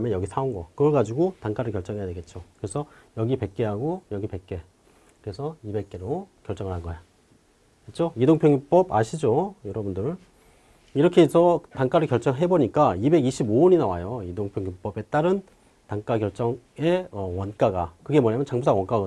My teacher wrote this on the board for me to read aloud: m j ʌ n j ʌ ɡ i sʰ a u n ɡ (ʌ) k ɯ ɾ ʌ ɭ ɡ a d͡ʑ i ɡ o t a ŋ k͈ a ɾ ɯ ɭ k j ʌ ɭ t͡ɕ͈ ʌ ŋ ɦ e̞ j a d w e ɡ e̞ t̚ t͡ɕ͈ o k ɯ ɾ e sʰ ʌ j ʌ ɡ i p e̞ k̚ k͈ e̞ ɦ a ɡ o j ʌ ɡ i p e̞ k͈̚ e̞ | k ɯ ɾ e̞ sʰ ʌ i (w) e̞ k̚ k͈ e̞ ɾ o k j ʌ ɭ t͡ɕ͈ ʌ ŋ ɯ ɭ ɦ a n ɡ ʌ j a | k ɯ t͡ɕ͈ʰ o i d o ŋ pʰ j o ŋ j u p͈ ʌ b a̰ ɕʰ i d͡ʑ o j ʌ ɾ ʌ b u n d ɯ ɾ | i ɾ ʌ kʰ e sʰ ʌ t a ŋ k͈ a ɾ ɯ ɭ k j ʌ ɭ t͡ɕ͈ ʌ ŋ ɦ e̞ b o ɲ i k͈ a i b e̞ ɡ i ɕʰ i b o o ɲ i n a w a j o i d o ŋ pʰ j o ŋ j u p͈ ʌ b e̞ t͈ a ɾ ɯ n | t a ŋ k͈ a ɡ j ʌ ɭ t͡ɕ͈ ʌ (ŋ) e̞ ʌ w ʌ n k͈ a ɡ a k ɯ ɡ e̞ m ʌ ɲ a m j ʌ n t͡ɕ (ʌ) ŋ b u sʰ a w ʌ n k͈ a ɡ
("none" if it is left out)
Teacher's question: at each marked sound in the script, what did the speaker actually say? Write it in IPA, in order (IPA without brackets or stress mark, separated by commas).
ʌ, b, ŋ, a